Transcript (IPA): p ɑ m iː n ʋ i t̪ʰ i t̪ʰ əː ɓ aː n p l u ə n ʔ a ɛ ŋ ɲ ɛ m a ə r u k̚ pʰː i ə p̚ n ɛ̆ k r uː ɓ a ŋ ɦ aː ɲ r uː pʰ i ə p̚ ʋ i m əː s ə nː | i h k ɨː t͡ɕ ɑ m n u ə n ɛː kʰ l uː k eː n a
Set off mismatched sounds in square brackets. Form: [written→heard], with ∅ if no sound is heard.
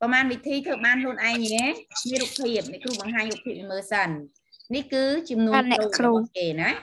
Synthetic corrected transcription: p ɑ m [iː→aː] n ʋ i t̪ʰ [i→iː] t̪ʰ əː ɓ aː n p l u ə n ʔ a ɛ ŋ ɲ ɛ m [a→i] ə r u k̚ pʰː i ə p̚ n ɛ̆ k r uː ɓ [a→ɑ] ŋ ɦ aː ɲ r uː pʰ i ə p̚ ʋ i m əː s ə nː | i h k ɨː t͡ɕ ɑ m n u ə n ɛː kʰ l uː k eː n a